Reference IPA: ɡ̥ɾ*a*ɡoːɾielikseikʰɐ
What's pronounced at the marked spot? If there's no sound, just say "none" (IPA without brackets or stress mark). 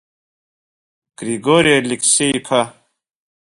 i